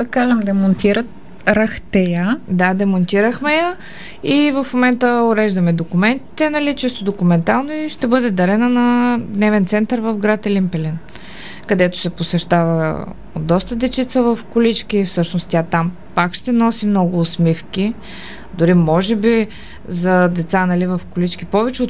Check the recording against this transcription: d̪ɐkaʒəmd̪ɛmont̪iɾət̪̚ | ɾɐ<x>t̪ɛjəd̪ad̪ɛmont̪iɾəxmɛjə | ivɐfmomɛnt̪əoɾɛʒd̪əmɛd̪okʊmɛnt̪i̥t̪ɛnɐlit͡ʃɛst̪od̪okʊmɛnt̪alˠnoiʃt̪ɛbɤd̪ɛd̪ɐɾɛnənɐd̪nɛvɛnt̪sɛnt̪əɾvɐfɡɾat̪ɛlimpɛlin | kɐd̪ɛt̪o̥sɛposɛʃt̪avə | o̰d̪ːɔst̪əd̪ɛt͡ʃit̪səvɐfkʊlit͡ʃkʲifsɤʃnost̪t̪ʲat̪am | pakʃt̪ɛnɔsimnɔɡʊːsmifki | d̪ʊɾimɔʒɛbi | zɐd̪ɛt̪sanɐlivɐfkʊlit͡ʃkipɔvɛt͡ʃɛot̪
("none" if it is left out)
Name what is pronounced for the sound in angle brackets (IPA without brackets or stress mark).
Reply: x